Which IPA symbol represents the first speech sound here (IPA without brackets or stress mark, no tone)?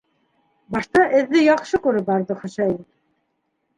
b